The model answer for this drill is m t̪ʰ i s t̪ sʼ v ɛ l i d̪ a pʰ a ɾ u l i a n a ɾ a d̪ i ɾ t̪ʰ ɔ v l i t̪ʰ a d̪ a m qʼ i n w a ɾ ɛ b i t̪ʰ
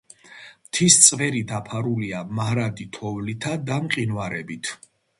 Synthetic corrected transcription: m t̪ʰ i s t̪ sʼ v ɛ ɾ i d̪ a pʰ a ɾ u l i a m a ɾ a d̪ i t̪ʰ ɔ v l i t̪ʰ a d̪ a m qʼ i n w a ɾ ɛ b i t̪ʰ